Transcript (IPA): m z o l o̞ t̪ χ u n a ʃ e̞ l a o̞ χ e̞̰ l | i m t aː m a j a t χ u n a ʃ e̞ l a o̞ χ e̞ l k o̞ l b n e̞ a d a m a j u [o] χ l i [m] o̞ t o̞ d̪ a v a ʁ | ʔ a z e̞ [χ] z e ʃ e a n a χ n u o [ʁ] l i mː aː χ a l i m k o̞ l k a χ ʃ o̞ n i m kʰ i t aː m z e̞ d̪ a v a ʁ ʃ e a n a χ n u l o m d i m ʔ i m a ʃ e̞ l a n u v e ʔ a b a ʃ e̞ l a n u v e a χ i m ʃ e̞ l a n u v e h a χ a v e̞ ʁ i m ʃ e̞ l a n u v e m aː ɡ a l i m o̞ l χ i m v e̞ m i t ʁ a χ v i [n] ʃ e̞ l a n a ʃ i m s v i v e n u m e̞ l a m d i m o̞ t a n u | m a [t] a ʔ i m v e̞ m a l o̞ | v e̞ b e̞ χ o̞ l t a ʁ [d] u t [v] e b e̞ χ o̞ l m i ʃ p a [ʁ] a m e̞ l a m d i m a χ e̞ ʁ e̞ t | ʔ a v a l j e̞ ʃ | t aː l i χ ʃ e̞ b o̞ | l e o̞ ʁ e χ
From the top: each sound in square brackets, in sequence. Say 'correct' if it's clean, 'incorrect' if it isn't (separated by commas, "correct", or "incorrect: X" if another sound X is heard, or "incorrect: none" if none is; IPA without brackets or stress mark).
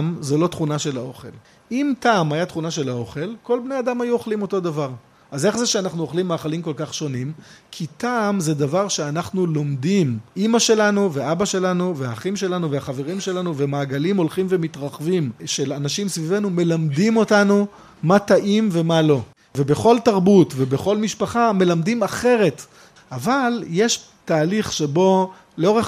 correct, correct, correct, incorrect: χ, incorrect: m, correct, incorrect: b, correct, incorrect: χ